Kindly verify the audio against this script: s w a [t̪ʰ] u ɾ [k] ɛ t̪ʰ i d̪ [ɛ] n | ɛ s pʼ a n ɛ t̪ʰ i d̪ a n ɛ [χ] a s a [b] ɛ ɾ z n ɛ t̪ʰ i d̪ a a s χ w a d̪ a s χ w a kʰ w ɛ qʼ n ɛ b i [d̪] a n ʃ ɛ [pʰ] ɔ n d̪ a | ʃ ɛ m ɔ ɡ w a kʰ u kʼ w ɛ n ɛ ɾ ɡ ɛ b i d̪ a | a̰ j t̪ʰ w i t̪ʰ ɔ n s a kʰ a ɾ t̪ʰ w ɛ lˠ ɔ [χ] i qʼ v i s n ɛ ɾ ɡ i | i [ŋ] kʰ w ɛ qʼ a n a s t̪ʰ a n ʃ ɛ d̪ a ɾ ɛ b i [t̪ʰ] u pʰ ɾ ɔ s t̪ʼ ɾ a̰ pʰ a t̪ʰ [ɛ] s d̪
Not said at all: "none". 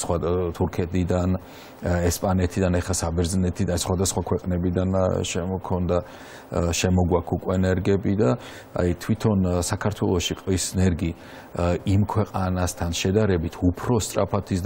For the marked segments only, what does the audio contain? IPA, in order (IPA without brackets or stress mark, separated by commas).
t̪ʰ, kʰ, a, χ, b, d̪, kʰ, ʃ, m, t̪ʰ, i